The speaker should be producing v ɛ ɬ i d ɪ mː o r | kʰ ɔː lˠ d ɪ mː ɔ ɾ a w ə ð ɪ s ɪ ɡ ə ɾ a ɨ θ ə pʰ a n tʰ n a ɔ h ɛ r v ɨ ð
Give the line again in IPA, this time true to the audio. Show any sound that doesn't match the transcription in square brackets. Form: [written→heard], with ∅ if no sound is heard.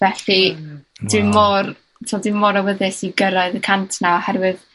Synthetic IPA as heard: v ɛ ɬ i d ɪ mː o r | [kʰ→tʰ] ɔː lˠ d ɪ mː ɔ ɾ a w ə ð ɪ s [ɪ→i] ɡ ə ɾ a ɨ [θ→ð] ə [pʰ→kʰ] a n tʰ n a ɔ h ɛ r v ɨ ð

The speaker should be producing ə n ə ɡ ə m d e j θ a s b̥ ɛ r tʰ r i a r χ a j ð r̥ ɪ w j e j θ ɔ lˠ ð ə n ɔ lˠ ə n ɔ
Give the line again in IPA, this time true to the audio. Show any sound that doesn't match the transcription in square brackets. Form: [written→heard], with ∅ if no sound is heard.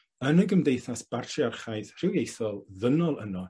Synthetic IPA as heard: ə n ə ɡ ə m d e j θ a s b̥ [ɛ→a] r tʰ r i a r χ a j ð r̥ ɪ w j e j θ ɔ lˠ ð ə n ɔ lˠ ə n ɔ

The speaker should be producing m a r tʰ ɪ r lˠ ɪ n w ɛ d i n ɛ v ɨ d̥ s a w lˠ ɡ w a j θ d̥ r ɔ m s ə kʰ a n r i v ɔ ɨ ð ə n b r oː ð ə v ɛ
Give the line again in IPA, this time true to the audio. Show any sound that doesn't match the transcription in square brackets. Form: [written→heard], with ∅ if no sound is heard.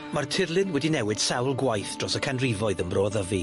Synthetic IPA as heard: m a r tʰ ɪ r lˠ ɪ n w ɛ d i n ɛ [v→w] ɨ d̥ s a w lˠ ɡ w a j θ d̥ r ɔ [m→∅] s ə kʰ a n r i v ɔ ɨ ð ə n b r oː ð ə v [ɛ→i]

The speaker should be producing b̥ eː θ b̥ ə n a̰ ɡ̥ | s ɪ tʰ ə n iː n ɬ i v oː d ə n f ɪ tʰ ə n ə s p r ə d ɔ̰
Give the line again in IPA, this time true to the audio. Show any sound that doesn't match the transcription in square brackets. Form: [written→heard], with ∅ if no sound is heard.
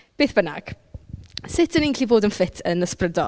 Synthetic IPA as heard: b̥ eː θ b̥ ə n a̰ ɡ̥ | s ɪ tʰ ə n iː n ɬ i v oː d ə n f ɪ tʰ ə n ə s p r ə d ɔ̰

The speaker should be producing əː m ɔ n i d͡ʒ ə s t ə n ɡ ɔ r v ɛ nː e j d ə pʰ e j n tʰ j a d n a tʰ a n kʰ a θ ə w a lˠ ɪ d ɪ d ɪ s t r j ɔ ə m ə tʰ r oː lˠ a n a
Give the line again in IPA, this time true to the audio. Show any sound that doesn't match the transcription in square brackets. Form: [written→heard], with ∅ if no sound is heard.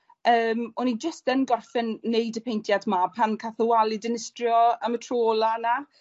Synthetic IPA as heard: əː m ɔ n i d͡ʒ ə s t ə n ɡ ɔ r [v→f] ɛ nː e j d ə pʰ e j n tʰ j a d [n→m] a [tʰ→pʰ] a n kʰ a θ ə w a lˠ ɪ d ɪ [d→n] ɪ s t r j ɔ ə m ə tʰ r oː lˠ a n a

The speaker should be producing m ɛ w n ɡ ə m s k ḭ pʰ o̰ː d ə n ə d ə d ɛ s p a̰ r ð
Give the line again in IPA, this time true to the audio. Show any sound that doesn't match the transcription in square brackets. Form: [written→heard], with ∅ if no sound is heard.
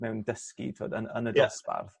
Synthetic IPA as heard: m ɛ w n [ɡ→d] ə [m→∅] s k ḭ [pʰ→tʰ] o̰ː d ə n ə [d→n] ə d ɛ s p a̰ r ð

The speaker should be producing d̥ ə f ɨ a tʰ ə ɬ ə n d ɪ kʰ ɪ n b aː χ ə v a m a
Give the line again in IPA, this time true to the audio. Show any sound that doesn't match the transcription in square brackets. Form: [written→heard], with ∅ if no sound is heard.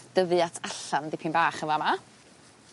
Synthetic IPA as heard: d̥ ə [f→v] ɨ a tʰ [ə→a] ɬ [ə→a] n d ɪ [kʰ→pʰ] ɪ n b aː χ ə v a m a

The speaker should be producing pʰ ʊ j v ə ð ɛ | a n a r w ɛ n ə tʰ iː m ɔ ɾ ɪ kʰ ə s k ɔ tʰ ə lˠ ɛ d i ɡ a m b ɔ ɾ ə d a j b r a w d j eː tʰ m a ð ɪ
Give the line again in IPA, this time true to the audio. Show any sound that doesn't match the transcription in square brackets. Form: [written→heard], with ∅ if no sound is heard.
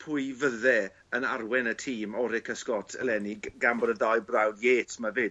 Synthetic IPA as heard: pʰ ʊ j v ə ð ɛ | [a→ə] n a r w ɛ n ə tʰ iː m ɔ ɾ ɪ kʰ ə s k ɔ tʰ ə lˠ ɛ [d→n] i ɡ a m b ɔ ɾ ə d a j b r a w d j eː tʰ m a [ð→v] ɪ

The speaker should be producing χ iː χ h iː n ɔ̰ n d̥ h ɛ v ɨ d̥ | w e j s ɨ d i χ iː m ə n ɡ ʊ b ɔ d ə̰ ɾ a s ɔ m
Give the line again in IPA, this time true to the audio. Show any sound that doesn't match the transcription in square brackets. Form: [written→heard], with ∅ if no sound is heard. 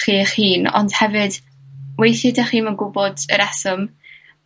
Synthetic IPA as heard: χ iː χ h iː n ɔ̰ n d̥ h ɛ v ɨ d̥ | w e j [s→θ] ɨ d [i→a] χ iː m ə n ɡ ʊ b ɔ d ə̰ ɾ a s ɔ m

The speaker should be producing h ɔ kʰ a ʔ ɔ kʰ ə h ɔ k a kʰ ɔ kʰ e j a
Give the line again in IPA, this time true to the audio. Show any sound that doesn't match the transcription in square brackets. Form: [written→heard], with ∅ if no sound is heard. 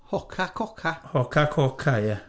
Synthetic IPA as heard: h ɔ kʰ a [ʔ→k] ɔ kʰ [ə→a] h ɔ k a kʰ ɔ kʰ [e→a] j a

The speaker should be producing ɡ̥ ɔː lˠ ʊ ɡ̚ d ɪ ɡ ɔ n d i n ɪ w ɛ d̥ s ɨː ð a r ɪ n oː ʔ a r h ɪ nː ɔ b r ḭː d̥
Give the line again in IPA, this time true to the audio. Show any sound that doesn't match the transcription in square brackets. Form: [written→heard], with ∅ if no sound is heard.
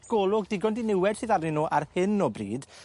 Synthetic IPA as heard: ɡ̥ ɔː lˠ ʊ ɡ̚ d ɪ ɡ ɔ n d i n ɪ w ɛ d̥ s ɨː ð a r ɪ n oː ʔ a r h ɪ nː ɔ b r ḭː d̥

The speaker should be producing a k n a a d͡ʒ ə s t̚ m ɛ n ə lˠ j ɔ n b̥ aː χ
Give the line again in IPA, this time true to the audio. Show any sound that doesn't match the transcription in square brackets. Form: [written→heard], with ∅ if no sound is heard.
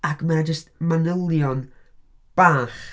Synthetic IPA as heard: a k [n→m] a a d͡ʒ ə s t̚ m [ɛ→a] n ə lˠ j ɔ n b̥ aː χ

